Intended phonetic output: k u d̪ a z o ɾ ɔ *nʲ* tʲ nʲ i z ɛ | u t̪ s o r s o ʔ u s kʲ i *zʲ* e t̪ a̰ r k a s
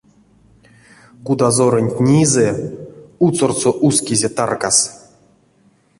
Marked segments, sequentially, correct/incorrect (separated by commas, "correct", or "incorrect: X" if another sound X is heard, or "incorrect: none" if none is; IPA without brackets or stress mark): correct, correct